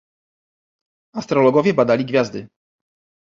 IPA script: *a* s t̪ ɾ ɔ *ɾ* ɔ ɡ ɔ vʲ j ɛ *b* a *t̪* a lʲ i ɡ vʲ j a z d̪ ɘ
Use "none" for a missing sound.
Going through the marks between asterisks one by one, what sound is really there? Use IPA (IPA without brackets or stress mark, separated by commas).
a, l, b, d̪